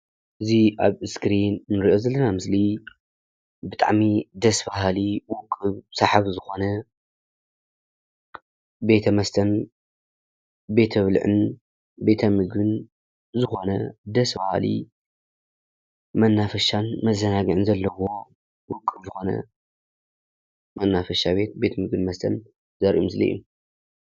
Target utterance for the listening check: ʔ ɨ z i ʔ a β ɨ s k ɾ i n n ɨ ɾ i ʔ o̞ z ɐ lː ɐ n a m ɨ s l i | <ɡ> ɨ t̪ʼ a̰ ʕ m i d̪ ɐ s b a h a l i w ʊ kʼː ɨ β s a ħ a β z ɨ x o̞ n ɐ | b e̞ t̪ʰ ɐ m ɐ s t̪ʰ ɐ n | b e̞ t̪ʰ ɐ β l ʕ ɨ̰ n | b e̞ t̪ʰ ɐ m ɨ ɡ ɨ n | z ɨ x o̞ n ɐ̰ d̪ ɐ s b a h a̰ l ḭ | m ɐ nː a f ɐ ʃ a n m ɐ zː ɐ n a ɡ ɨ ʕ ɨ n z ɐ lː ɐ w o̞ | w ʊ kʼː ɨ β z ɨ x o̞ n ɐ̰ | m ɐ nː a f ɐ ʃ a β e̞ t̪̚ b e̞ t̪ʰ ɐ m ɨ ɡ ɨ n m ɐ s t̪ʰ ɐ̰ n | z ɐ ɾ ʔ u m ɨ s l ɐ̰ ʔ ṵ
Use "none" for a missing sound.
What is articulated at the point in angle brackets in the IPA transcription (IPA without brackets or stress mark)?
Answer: b